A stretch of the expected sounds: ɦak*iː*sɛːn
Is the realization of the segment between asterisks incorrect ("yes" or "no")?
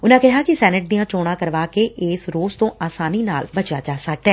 yes